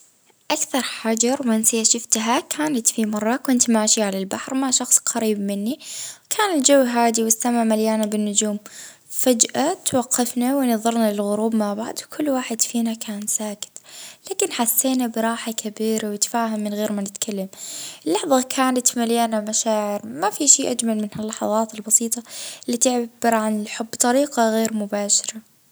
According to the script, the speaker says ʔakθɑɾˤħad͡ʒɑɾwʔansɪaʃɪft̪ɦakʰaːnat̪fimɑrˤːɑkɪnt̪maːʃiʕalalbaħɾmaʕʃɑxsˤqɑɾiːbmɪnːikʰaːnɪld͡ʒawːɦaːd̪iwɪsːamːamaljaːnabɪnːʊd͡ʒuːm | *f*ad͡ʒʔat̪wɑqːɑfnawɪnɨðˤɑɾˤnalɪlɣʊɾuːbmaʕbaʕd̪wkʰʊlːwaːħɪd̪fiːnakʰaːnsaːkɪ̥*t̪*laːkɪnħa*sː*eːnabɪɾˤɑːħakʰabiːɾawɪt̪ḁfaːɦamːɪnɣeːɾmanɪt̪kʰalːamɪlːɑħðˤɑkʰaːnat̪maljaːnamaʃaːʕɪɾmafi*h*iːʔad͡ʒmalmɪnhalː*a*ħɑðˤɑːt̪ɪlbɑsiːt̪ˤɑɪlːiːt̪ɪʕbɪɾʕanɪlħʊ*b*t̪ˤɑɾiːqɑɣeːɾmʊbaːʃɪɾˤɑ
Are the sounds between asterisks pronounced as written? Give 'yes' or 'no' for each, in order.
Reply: yes, yes, yes, no, no, no

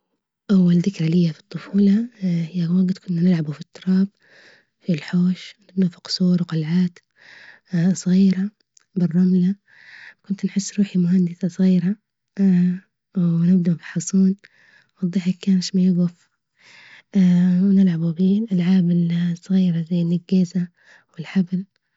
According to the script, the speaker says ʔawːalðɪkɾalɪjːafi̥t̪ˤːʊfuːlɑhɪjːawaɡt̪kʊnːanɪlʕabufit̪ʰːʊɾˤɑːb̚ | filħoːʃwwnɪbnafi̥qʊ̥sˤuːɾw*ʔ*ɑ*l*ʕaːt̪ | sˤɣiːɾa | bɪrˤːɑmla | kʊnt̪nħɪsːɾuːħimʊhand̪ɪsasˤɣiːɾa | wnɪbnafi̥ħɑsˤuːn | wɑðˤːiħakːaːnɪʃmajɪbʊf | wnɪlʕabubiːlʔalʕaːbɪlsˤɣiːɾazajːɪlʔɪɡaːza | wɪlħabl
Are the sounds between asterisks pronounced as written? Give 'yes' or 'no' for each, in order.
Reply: no, yes

